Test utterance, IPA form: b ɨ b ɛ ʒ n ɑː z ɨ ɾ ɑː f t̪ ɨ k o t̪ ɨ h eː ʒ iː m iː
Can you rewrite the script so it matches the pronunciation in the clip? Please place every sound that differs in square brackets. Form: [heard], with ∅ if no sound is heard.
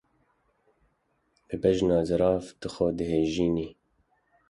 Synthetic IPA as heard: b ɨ b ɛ ʒ n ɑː z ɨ ɾ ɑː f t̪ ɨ [x] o [d̪] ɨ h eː ʒ iː [n] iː